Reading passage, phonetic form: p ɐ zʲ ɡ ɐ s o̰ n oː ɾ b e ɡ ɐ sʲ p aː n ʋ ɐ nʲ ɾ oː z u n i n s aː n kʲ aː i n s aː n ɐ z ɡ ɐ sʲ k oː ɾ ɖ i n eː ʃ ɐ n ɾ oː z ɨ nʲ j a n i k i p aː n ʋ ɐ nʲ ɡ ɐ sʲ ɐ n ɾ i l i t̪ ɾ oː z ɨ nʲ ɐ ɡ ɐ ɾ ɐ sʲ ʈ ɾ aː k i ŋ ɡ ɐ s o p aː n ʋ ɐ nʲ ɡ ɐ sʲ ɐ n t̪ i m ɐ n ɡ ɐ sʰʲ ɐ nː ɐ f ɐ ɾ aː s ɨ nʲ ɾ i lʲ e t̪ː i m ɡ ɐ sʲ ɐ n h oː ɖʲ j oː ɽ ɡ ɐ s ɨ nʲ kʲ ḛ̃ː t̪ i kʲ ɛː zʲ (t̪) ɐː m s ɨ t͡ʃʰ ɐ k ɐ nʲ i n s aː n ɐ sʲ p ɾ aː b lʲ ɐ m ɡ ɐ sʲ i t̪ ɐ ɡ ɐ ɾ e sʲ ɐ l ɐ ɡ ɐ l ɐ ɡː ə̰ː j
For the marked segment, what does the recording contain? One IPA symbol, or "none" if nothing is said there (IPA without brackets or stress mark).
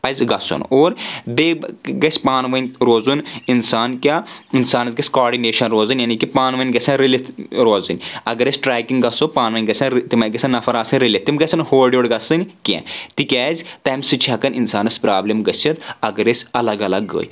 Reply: t̪